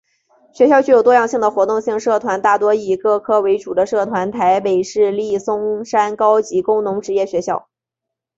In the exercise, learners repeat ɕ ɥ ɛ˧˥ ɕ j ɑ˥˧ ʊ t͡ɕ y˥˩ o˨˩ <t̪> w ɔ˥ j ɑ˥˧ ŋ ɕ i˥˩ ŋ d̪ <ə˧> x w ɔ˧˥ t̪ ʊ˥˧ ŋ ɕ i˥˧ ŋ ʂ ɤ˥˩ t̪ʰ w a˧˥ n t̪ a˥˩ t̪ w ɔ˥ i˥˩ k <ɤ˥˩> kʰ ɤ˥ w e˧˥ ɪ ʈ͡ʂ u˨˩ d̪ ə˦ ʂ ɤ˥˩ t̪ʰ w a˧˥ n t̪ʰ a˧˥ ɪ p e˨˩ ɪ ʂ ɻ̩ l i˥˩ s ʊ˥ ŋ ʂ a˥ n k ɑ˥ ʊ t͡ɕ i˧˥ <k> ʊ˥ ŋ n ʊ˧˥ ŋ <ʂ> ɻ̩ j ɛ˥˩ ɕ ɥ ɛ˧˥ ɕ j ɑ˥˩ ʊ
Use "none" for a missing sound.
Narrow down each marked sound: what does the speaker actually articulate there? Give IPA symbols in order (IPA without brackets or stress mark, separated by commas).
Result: t̪, ə˩, ɤ˥˩, k, ʈ͡ʂ